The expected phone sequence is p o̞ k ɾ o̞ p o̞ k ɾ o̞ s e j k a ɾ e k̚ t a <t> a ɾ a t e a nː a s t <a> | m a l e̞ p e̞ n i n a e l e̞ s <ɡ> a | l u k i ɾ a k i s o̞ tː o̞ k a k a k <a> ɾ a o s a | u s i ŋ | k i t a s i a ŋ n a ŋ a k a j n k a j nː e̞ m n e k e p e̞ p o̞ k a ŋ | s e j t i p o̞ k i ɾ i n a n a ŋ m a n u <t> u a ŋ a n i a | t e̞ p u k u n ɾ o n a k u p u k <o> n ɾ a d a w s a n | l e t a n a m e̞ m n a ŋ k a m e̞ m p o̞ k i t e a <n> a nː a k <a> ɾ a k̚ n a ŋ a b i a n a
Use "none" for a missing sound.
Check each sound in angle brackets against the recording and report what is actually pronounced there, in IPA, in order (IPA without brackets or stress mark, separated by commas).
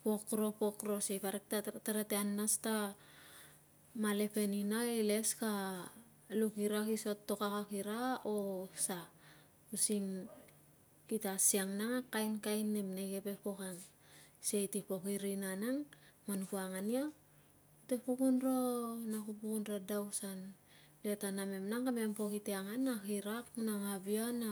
t, a, k, i, k, u, ŋ, i